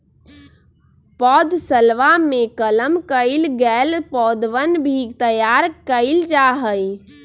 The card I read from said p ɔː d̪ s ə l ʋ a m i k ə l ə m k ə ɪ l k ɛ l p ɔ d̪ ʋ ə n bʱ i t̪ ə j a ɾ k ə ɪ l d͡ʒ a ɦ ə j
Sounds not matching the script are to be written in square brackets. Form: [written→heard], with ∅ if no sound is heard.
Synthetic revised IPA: p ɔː d̪ s ə l ʋ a m [i→e] k ə l ə m k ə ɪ l [k→ɡ] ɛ l p ɔ d̪ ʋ ə n bʱ i t̪ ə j a ɾ k ə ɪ l d͡ʒ a ɦ ə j